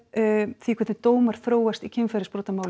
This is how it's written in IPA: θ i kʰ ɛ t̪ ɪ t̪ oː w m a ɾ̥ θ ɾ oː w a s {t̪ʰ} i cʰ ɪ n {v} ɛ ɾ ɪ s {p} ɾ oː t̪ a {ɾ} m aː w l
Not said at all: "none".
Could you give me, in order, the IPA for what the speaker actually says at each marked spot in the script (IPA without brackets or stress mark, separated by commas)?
t̪, f, p, none